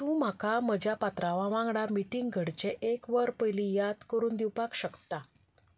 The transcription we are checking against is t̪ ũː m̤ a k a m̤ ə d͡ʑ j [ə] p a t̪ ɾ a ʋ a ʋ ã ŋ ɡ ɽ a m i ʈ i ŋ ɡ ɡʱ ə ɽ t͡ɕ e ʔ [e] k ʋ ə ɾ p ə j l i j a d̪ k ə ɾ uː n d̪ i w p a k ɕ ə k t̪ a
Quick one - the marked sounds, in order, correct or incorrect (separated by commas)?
incorrect, correct